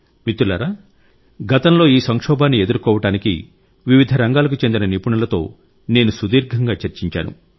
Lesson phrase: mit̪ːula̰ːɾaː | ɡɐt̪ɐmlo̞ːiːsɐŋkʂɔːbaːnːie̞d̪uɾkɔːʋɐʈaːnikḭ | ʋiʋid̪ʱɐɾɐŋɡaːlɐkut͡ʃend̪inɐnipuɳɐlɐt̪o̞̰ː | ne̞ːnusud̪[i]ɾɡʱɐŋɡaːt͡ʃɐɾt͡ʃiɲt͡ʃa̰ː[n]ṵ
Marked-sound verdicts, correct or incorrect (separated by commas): incorrect, correct